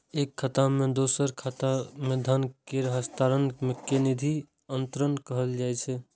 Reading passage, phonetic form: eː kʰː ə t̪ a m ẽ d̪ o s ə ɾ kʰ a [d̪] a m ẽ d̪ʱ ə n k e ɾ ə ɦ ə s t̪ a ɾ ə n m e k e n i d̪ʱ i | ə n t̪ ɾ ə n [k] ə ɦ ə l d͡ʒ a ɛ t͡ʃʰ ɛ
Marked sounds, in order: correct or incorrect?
incorrect, correct

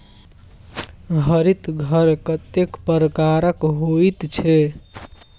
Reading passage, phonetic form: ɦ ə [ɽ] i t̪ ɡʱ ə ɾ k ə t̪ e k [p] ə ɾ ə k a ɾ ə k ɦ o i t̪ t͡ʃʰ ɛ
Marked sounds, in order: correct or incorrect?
incorrect, correct

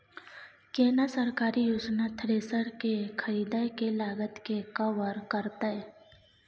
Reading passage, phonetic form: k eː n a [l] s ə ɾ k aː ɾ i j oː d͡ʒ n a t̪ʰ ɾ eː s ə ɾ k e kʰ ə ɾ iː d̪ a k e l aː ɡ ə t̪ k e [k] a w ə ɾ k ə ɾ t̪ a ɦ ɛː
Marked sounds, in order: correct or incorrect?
incorrect, correct

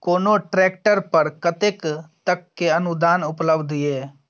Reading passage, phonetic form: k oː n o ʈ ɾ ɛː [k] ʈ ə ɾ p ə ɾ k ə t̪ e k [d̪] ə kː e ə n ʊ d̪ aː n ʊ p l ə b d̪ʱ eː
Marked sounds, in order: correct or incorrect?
correct, incorrect

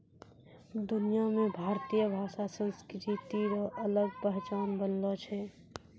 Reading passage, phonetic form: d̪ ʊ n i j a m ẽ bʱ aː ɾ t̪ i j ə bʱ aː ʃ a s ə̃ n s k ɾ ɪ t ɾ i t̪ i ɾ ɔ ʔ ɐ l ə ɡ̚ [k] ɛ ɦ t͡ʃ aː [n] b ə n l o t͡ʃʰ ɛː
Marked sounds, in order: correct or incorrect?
incorrect, correct

